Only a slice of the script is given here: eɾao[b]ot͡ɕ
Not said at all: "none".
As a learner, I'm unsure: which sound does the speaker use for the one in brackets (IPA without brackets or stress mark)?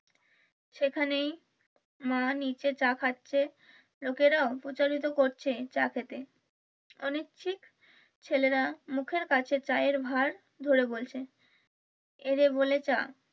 p